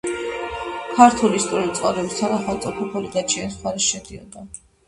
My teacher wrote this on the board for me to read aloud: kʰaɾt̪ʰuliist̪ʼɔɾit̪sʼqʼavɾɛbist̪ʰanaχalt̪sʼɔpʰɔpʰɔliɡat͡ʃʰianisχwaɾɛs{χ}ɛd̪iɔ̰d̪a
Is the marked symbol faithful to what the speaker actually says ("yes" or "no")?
no